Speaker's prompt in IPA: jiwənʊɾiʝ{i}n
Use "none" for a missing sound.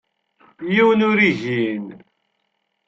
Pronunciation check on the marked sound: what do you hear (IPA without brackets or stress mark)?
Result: i